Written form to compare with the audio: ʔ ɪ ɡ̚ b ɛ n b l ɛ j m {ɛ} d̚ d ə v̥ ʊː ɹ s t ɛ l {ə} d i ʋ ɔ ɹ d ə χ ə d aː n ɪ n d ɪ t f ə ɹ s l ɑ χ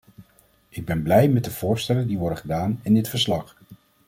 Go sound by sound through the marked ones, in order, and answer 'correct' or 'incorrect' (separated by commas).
correct, correct